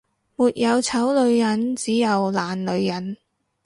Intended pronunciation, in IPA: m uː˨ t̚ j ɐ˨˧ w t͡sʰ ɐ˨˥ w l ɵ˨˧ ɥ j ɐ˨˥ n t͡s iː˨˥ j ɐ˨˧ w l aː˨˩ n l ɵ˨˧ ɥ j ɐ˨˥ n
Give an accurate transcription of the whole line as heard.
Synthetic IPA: m uː˨ t̚ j ɐ˨˧ w t͡sʰ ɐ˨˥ w l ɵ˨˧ ɥ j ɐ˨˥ n t͡s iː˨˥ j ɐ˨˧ w l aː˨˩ n l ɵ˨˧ ɥ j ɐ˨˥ n